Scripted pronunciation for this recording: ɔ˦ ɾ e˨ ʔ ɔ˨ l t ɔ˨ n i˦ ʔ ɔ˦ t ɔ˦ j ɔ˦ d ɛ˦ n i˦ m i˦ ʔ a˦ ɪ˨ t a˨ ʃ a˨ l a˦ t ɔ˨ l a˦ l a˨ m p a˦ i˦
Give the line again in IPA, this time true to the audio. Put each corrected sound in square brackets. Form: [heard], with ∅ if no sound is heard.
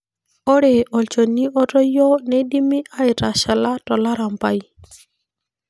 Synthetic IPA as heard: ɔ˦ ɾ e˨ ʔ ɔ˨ l [t͡ʃ] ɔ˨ n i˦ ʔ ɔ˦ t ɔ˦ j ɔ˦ [n] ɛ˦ [d] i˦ m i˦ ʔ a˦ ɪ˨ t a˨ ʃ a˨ l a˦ t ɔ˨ l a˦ [ɾ] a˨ m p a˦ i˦